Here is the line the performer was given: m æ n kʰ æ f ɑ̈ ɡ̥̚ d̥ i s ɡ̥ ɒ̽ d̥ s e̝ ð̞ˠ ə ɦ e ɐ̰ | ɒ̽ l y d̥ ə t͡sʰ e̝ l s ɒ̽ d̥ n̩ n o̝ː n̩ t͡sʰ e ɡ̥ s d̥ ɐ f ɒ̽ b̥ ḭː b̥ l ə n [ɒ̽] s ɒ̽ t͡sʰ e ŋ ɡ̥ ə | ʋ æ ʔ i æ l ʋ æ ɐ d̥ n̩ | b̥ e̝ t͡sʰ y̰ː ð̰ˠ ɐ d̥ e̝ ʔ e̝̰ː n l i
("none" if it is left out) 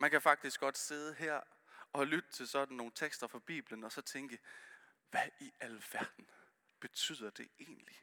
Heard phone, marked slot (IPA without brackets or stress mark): ɒ̽